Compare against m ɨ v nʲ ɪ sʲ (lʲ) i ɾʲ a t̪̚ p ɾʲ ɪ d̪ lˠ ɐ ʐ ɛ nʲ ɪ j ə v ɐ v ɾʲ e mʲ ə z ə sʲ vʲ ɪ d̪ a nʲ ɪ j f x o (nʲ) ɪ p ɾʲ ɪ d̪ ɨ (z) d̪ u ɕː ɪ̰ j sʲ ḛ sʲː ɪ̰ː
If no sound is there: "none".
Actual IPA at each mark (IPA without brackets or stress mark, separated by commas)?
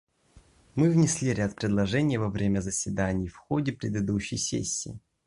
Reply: lʲ, dʲ, none